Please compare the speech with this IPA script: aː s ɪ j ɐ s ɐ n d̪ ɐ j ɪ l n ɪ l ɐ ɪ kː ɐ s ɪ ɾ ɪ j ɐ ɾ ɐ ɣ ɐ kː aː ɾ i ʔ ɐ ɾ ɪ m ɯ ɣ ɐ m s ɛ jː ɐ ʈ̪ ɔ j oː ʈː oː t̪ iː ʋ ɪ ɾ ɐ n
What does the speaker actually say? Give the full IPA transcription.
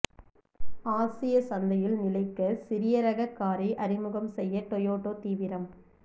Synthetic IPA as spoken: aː s ɪ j ɐ s ɐ n d̪ ɐ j ɪ l n ɪ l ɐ ɪ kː ɐ s ɪ ɾ ɪ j ɐ ɾ ɐ ɣ ɐ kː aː ɾ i ʔ ɐ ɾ ɪ m ɯ ɣ ɐ m s ɛ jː ɐ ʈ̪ ɔ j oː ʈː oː t̪ iː ʋ ɪ ɾ ɐ m